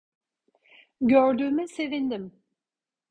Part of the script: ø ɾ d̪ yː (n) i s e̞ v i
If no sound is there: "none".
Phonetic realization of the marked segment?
m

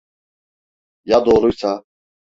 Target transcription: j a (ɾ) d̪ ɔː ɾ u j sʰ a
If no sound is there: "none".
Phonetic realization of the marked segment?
none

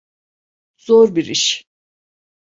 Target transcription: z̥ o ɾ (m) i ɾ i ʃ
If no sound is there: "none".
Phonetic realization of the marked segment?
b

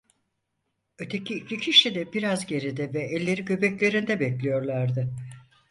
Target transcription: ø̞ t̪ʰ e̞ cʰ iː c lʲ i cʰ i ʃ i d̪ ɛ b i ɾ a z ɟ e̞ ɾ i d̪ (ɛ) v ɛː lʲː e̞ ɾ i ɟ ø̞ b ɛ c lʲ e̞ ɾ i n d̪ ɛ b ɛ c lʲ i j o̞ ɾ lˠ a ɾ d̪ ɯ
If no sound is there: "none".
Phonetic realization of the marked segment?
ɛ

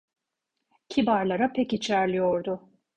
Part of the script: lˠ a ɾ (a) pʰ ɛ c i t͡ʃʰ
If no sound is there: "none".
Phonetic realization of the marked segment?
a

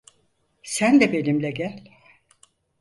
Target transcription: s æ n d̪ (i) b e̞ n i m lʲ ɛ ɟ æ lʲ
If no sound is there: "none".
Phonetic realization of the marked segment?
ɛ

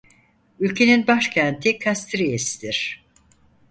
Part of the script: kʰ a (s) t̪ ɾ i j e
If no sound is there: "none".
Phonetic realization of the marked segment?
s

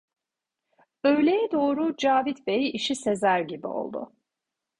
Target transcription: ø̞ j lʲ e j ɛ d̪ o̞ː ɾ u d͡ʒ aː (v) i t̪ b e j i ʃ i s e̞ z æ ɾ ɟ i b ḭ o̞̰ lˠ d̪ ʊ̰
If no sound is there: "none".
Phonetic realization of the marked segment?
v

